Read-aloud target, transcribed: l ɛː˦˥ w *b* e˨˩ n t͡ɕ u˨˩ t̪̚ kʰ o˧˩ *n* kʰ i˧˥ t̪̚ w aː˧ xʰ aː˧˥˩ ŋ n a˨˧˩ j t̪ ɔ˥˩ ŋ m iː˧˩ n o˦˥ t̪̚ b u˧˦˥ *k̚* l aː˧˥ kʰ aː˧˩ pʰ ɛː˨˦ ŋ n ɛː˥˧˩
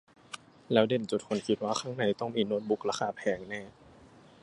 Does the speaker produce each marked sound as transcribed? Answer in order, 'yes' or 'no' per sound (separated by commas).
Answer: no, yes, yes